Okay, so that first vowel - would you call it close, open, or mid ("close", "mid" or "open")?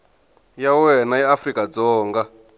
open